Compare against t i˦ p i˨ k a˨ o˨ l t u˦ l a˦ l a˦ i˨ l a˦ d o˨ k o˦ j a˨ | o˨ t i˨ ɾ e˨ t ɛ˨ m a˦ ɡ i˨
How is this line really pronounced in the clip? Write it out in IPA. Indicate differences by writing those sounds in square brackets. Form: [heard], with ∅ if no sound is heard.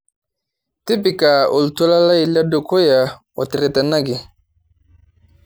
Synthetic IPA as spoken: t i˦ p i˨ k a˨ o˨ l t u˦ l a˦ l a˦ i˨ l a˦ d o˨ k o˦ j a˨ | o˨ t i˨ ɾ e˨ t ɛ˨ [n] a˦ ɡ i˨